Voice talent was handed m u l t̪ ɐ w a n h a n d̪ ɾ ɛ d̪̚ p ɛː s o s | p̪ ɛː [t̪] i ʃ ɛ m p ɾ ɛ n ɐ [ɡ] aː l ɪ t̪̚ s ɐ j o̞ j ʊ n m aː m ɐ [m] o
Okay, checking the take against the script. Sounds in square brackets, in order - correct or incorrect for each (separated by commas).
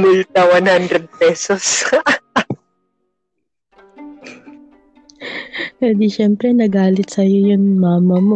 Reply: incorrect, correct, correct